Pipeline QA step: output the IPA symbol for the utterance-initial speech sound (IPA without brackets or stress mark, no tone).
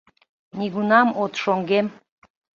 n